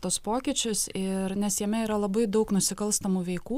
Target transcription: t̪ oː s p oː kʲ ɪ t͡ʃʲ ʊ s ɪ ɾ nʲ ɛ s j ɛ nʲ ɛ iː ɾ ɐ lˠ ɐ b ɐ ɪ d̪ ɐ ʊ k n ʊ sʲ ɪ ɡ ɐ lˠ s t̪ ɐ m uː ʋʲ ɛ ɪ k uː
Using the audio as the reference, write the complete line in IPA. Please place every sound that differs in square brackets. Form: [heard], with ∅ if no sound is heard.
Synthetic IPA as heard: t̪ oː s p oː kʲ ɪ t͡ʃʲ ʊ s ɪ ɾ nʲ ɛ s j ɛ [mʲ] ɛ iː ɾ ɐ lˠ ɐ b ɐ ɪ d̪ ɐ ʊ k n ʊ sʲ ɪ [k] ɐ lˠ s t̪ ɐ m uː ʋʲ ɛ ɪ k uː